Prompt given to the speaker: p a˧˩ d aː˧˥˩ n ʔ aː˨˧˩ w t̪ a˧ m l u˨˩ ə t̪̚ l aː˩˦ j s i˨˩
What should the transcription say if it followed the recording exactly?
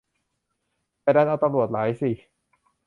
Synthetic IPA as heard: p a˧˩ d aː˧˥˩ n ʔ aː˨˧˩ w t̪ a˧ m ɾ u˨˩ ə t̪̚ l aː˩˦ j s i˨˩